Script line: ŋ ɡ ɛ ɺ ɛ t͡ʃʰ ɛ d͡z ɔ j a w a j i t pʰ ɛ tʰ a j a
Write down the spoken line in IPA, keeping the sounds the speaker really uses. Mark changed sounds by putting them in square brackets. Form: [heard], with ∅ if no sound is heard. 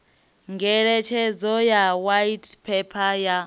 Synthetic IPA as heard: ŋ ɡ ɛ ɺ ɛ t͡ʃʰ ɛ d͡z ɔ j a w a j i t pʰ ɛ [pʰ] a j a